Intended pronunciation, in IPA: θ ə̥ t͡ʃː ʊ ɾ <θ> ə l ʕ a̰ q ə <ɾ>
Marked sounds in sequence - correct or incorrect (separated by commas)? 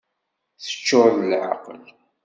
incorrect, incorrect